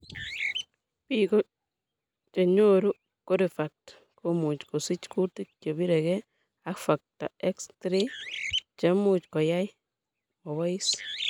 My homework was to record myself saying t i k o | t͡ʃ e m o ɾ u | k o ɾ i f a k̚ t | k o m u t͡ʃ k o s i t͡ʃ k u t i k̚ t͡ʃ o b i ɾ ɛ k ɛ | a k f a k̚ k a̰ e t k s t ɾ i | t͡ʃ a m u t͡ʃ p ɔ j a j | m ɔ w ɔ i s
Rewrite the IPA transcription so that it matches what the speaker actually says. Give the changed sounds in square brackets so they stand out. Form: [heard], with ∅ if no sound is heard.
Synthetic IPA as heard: [p] i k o | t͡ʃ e [ɲ] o ɾ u | k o ɾ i f a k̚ t | k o m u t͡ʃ k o s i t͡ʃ k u t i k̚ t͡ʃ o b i ɾ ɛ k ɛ | a k f a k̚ [t] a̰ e [∅] k s t ɾ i | t͡ʃ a m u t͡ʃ [k] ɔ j a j | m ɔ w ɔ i s

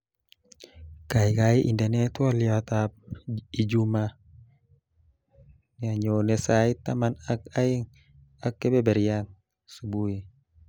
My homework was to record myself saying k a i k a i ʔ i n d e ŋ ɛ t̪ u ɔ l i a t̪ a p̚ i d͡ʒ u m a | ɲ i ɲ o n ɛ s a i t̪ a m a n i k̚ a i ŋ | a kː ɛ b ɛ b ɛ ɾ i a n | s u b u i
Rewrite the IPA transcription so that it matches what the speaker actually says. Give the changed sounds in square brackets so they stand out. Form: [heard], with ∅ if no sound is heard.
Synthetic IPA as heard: k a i k a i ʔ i n d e [n] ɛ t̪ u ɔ l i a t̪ a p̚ i d͡ʒ u m a | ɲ [a] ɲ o n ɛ s a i t̪ a m a n [a] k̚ a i ŋ | a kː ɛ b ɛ b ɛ ɾ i a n | s u b u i

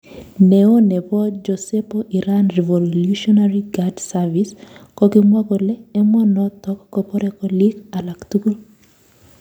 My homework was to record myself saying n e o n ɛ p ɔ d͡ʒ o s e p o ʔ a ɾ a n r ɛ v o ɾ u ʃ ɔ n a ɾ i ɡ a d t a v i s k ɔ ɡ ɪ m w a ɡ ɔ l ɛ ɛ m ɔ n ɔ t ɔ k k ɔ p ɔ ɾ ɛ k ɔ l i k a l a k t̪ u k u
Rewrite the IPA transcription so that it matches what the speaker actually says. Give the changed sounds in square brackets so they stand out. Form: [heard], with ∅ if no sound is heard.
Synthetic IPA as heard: n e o n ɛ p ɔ d͡ʒ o s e p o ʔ [i] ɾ a n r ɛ v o [l] u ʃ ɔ n a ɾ i ɡ a d [s] a v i s k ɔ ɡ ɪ m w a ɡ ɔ l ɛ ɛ m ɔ n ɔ t ɔ k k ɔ p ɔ ɾ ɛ k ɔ l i k a l a k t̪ u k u

